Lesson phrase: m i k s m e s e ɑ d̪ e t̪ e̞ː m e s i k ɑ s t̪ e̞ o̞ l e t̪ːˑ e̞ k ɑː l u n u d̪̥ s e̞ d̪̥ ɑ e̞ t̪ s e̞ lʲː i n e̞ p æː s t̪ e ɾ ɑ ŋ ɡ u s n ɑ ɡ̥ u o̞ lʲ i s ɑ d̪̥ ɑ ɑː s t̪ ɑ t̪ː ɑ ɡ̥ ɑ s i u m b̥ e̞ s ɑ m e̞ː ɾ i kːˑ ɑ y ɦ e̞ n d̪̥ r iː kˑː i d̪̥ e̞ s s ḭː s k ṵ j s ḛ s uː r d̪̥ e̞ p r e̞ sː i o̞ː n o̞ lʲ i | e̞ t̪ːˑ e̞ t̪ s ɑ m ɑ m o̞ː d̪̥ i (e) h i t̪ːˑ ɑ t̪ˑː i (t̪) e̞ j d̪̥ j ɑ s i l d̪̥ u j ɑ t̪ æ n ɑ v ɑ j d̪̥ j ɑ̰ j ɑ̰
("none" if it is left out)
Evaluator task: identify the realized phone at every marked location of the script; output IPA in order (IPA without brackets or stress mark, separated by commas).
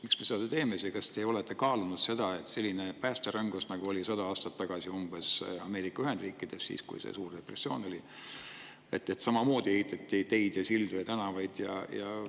e, t̪